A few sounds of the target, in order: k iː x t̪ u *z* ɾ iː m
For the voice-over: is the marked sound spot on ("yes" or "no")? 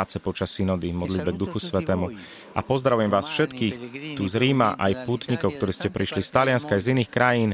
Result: yes